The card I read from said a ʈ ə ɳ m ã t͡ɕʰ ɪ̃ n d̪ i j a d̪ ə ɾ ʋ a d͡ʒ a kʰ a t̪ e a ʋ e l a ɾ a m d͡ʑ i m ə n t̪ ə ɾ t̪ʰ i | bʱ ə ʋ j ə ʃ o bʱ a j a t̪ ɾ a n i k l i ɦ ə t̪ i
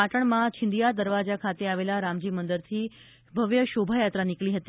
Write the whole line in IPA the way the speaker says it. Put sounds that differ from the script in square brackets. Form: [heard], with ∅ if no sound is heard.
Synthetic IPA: a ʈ ə ɳ m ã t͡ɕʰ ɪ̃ n d̪ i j a d̪ ə ɾ ʋ a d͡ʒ a kʰ a t̪ e a ʋ e l a ɾ a m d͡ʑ i m ə n [d̪] ə ɾ t̪ʰ i | bʱ ə ʋ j ə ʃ o bʱ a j a t̪ ɾ a n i k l i ɦ ə t̪ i